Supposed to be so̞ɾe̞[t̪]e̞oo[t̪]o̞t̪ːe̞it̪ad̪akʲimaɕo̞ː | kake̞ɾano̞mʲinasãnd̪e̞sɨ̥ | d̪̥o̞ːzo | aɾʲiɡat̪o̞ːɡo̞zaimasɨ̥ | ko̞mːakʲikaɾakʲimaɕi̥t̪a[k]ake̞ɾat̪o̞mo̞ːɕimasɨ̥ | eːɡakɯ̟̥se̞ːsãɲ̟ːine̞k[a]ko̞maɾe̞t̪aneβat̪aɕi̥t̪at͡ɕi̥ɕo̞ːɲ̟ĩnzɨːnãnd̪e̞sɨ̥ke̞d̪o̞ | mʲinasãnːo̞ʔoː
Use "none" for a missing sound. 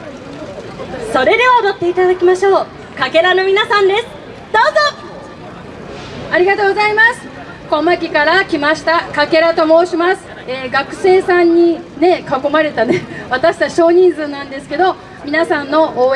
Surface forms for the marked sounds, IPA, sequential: d̪, d̪, k, a

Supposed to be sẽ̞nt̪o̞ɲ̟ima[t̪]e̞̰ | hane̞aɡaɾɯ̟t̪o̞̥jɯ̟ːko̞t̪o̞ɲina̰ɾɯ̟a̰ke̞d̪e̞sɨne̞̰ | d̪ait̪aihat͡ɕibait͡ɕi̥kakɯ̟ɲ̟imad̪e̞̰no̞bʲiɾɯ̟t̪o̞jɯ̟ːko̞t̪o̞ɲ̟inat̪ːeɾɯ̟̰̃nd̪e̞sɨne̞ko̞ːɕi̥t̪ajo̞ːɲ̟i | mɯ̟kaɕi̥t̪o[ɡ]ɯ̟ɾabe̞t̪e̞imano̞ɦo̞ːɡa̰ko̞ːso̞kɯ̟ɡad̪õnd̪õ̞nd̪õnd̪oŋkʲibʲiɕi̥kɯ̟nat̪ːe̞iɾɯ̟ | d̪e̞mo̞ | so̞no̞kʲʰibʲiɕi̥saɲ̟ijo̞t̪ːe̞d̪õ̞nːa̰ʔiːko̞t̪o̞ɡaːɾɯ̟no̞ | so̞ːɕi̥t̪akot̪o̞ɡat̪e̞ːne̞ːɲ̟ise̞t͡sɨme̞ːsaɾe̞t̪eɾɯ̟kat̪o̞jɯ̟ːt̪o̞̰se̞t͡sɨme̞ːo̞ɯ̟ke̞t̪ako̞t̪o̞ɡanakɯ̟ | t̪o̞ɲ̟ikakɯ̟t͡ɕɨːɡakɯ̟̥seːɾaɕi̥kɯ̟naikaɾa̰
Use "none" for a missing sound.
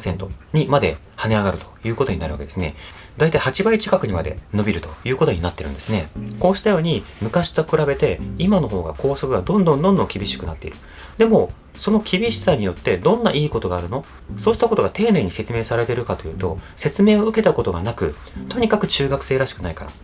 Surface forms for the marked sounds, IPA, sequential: d̪, k

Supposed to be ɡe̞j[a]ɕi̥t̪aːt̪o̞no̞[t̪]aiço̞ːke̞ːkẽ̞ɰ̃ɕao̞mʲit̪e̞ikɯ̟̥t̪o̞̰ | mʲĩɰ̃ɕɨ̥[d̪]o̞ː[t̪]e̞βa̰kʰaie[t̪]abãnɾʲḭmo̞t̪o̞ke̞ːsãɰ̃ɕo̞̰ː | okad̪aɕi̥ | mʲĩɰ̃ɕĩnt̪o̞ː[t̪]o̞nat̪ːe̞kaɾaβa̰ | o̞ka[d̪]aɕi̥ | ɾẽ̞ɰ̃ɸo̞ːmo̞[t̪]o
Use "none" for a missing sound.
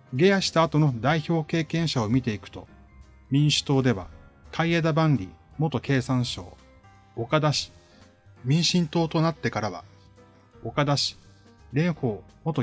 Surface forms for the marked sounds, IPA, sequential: a, d̪, t̪, d̪, d̪, t̪, d̪, t̪

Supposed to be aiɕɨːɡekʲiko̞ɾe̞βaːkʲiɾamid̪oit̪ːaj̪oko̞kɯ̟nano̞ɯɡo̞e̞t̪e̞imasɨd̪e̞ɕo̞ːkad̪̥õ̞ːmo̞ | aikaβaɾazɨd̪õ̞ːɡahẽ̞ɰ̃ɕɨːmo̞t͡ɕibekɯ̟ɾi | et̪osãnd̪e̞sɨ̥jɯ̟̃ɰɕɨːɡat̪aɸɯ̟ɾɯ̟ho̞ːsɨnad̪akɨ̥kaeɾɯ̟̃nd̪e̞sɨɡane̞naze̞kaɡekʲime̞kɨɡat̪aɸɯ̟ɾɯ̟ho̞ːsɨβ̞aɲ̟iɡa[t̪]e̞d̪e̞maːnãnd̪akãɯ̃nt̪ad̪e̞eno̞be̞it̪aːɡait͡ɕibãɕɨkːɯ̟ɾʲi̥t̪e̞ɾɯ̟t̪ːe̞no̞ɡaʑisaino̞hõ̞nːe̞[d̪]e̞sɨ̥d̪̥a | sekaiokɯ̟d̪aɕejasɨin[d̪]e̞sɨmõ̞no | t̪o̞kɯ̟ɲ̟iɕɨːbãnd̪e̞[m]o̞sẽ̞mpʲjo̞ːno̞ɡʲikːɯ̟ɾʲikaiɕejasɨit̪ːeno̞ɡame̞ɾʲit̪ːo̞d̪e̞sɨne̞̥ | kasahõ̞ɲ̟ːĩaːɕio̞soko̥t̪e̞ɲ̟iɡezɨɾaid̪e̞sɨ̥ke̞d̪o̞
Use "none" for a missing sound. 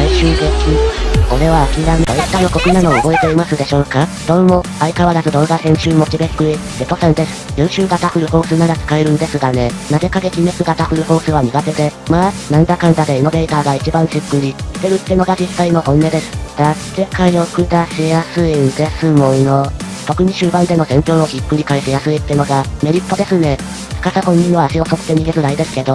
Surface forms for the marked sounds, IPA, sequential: t̪, d̪, d̪, n

